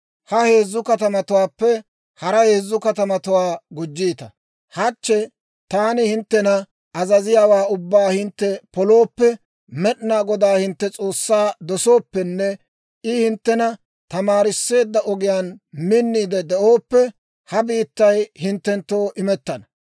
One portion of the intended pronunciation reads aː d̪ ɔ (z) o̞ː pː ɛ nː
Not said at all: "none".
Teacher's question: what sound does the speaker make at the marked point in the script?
s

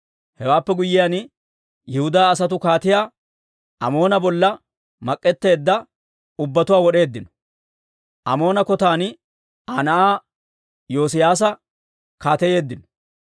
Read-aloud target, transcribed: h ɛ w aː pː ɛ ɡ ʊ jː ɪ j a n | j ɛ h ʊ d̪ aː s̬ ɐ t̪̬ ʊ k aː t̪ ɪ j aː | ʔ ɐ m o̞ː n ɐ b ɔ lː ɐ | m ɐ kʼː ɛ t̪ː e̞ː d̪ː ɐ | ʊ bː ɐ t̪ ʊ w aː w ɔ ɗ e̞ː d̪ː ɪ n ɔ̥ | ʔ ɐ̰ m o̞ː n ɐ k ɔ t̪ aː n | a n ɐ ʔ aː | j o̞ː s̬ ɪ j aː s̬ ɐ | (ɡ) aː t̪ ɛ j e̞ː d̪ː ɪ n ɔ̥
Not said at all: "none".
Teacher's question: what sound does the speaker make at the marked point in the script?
k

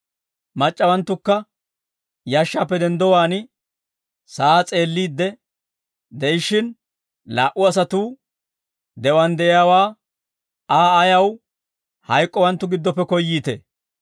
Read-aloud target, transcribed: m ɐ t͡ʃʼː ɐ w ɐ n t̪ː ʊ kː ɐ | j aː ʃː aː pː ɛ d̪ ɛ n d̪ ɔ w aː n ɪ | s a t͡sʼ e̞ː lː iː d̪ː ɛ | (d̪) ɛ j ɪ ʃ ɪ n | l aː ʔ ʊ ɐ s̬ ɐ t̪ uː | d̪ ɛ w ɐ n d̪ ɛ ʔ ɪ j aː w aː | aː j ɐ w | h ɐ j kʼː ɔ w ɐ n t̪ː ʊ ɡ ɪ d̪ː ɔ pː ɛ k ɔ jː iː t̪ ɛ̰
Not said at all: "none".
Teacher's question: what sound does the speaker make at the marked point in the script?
d̪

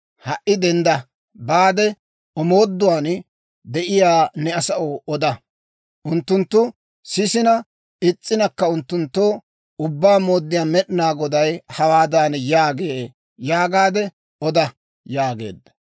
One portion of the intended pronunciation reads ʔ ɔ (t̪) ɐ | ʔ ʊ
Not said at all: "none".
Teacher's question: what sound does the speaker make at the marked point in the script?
d̪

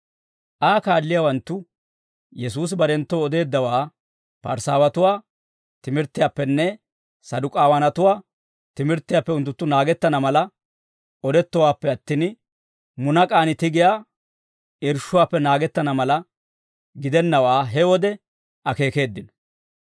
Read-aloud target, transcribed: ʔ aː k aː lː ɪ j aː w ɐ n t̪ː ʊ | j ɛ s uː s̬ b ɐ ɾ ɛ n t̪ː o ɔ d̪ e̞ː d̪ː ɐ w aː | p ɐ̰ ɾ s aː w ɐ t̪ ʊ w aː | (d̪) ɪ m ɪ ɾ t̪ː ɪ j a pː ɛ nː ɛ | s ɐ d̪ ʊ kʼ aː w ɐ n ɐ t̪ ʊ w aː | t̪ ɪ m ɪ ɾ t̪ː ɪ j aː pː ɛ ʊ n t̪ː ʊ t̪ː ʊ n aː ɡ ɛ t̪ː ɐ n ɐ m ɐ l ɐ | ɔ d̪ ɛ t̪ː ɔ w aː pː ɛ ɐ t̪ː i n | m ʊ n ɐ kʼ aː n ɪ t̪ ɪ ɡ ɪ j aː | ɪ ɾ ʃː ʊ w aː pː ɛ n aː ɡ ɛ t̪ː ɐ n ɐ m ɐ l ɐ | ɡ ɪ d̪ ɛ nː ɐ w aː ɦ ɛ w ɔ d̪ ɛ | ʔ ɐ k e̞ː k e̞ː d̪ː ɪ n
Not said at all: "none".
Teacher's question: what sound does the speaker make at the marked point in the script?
t̪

